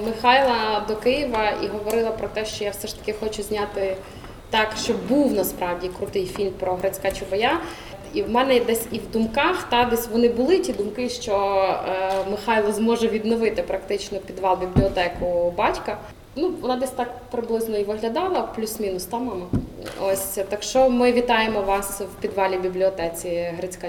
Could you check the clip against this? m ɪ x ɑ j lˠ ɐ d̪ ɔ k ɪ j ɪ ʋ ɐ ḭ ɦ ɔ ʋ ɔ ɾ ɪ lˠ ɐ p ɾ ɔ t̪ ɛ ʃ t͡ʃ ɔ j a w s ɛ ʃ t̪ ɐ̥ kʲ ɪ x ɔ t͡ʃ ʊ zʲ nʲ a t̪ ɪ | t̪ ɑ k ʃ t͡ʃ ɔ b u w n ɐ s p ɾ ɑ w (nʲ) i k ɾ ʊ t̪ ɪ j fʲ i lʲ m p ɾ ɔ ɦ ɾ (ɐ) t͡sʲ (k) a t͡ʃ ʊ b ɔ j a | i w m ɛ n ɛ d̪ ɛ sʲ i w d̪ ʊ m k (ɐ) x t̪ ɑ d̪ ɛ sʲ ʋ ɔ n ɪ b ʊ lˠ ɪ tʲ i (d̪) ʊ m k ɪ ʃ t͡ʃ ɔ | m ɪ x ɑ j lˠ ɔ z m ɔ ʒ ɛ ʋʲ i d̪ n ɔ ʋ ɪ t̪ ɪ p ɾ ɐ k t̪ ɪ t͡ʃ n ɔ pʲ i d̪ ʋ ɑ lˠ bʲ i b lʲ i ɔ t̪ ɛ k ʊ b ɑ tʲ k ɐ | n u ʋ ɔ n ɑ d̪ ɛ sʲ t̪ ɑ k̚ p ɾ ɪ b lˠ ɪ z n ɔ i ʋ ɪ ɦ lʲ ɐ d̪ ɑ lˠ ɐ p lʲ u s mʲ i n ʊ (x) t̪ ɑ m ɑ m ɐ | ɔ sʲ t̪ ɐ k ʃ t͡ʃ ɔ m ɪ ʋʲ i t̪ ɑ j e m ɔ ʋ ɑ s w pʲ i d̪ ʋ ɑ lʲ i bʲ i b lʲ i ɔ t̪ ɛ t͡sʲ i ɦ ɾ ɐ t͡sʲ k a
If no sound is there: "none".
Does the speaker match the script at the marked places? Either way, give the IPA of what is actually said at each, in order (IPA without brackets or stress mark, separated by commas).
dʲ, ɐ, k, ɑ, d̪, s